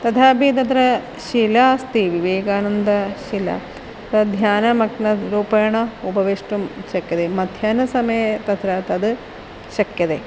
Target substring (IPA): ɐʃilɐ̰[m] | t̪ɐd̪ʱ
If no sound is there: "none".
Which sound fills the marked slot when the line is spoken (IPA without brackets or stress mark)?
none